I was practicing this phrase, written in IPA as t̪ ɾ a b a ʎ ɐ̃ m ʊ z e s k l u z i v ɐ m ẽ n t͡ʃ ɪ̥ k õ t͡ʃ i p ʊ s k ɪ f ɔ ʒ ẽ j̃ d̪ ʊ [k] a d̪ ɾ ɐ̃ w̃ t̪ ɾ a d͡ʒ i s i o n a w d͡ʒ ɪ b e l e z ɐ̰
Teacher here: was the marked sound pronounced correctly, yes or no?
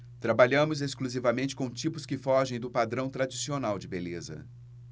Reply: no